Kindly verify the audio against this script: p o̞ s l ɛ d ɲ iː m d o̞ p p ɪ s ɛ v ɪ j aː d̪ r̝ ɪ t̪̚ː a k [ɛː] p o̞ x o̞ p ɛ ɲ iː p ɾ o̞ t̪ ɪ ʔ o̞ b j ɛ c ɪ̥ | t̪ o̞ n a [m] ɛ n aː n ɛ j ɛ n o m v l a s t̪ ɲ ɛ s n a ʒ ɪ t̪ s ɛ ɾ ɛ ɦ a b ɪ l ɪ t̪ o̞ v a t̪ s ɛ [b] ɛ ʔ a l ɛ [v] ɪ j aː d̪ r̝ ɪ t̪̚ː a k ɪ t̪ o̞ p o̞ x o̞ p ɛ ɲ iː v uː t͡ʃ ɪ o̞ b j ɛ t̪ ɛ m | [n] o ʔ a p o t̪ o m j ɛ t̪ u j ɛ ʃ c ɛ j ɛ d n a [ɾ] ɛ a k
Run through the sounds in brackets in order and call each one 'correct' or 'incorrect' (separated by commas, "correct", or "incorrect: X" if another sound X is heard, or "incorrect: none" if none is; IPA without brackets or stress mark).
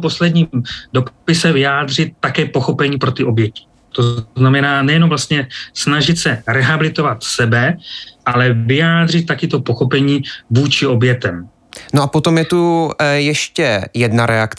correct, correct, correct, correct, correct, correct